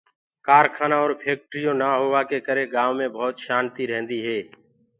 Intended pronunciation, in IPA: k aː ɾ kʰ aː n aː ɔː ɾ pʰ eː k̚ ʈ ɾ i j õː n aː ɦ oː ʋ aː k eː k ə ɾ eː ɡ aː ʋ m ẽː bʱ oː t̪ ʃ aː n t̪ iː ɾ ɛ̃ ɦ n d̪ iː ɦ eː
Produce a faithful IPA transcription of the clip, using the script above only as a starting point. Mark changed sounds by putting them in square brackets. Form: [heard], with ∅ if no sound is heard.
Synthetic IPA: k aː ɾ kʰ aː n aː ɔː ɾ pʰ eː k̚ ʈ ɾ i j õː n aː ɦ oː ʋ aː k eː k ə ɾ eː ɡ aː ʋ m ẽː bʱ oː t̪ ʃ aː n t̪ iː ɾ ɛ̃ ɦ n d̪ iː ɦ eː